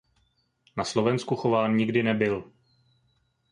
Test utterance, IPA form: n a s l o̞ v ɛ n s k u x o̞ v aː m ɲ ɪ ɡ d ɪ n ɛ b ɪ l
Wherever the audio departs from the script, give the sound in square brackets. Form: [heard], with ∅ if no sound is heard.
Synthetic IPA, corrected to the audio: n a s l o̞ v ɛ n s k u x o̞ v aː [n] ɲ ɪ ɡ d ɪ n ɛ b ɪ l